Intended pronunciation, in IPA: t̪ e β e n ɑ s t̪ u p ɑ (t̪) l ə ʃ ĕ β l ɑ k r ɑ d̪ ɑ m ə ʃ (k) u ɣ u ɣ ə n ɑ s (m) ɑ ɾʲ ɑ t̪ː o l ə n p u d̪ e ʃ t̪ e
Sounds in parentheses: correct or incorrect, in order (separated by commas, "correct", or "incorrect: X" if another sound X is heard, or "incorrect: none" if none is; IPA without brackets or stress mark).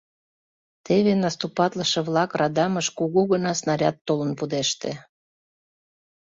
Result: correct, correct, incorrect: n